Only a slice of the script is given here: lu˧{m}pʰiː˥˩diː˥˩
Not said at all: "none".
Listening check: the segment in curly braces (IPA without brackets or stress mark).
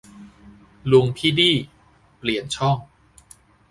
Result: ŋ